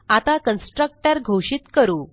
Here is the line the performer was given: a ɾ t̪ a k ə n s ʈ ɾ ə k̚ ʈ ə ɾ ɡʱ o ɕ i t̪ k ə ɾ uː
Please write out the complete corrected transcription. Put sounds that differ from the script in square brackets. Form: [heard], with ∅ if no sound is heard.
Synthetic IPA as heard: a [∅] t̪ a k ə n s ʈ ɾ ə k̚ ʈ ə ɾ ɡʱ o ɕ i t̪ k ə ɾ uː